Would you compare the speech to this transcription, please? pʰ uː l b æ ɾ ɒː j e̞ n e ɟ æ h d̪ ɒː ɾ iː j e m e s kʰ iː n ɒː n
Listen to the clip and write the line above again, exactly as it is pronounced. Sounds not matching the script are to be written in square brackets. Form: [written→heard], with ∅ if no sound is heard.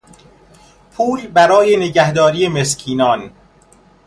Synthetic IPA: pʰ uː l b æ ɾ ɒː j e̞ n e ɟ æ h d̪ ɒː ɾ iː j e m e s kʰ iː n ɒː n